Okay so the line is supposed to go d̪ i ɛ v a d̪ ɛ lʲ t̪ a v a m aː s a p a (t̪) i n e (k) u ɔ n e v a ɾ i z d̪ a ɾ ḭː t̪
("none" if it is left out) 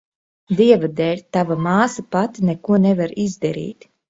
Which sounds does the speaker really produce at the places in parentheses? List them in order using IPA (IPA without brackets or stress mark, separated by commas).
t̪, k